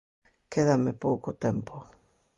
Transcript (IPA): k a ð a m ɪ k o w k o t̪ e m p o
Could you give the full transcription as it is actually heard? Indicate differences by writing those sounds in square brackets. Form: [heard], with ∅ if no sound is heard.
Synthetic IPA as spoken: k [e] ð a m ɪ [p] o w k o t̪ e m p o